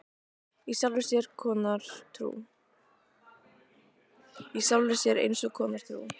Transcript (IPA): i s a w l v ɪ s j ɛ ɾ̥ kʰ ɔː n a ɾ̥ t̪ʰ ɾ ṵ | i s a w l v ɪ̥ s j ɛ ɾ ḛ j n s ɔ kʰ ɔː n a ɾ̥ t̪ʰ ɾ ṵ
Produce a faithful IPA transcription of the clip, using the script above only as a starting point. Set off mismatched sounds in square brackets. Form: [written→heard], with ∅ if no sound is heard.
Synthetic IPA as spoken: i s a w l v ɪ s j ɛ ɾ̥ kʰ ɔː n a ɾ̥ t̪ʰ ɾ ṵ | i s a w l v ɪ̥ s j ɛ ɾ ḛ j n s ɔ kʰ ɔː n a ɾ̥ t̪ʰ ɾ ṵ